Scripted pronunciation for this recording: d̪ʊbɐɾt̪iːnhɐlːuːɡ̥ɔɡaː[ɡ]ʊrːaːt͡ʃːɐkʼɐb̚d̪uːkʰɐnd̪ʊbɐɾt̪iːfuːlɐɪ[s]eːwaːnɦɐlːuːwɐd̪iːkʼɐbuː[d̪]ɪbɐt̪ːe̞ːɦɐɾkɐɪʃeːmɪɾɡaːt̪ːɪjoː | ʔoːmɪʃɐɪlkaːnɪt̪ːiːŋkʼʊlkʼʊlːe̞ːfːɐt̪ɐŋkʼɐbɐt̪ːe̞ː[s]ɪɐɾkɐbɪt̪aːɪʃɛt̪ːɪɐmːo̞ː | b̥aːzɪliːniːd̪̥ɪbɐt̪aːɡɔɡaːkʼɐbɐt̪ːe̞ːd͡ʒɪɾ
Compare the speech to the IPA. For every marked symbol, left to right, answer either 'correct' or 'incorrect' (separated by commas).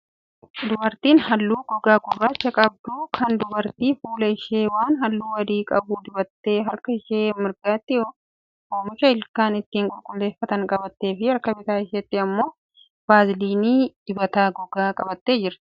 correct, incorrect, correct, incorrect